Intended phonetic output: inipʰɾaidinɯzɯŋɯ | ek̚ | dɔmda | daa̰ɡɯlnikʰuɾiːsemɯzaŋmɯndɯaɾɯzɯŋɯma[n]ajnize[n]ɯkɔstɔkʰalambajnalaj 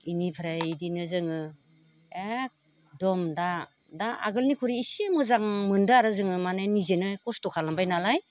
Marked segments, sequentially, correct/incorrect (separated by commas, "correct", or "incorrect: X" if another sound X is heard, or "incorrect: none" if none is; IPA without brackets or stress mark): correct, correct